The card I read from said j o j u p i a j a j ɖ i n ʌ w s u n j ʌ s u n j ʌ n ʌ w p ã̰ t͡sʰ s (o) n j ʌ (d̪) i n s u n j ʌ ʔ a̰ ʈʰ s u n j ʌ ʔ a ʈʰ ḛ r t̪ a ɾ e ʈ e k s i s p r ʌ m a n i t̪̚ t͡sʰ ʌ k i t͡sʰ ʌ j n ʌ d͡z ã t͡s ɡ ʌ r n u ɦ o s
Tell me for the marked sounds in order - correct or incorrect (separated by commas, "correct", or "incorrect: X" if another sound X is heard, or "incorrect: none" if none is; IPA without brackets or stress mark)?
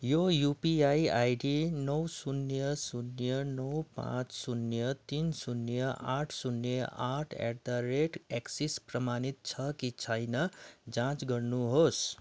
incorrect: u, incorrect: t̪